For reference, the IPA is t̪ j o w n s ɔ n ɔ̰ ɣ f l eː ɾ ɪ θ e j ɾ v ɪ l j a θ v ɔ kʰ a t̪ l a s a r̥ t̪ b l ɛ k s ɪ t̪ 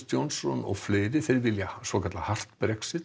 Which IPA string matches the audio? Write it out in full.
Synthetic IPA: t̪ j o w n s ɔ n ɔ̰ ɣ f l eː ɾ ɪ θ e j ɾ v ɪ l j a s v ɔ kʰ a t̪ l a h a r̥ t̪ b ɾ ɛ k s ɪ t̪

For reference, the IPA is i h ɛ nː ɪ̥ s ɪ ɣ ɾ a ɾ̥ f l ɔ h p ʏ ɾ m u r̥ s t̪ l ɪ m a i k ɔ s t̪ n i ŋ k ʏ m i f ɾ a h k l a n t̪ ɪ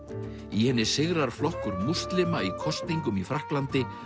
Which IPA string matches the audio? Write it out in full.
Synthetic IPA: i h ɛ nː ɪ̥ s ɪ ɣ ɾ a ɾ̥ f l ɔ h k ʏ ɾ m u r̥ s t̪ l ɪ m a i kʰ ɔ s t̪ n i ŋ k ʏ m i f ɾ a h k l a n t̪ ɪ

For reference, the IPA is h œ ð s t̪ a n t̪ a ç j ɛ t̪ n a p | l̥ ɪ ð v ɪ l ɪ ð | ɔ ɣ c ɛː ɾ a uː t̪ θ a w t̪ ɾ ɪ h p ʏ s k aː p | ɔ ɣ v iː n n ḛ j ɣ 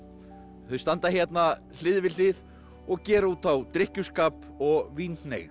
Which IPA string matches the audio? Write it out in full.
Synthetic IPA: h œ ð s t̪ a n t̪ a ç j ɛ t̪ n a | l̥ ɪ ð v ɪ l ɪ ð | ɔ ɣ c ɛː ɾ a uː t̪ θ a w t̪ ɾ ɪ h c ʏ s k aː p | ɔ ɣ v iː n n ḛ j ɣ

